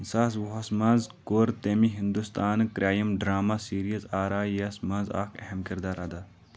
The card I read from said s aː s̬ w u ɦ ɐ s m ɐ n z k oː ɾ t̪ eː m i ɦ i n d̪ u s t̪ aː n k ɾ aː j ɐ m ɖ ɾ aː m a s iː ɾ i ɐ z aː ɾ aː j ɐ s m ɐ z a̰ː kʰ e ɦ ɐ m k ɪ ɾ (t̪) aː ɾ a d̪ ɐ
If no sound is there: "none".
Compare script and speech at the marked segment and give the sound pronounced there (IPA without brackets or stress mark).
d̪